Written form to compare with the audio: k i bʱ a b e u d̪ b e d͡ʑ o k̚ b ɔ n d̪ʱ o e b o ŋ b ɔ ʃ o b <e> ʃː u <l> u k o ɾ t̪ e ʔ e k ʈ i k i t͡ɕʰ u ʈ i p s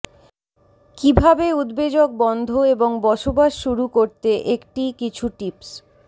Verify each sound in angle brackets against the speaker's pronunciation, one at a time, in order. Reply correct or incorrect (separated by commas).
incorrect, incorrect